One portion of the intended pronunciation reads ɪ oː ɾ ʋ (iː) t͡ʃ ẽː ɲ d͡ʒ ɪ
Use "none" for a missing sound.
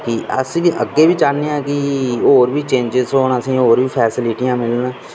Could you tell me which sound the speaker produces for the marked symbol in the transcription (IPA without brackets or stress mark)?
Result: iː